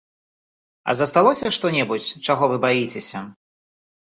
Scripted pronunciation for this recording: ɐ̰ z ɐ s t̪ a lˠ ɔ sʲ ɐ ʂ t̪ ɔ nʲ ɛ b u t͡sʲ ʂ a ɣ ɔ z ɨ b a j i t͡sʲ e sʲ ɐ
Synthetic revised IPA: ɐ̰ z ɐ s t̪ a lˠ ɔ sʲ ɐ ʂ t̪ ɔ nʲ ɛ b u t͡sʲ t͡ʂ a ɣ ɔ v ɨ b a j i t͡sʲ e sʲ ɐ